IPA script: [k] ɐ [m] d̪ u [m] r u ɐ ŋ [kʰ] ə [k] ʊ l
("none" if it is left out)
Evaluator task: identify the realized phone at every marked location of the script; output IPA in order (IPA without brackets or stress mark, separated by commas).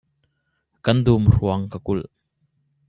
k, n, m, k, k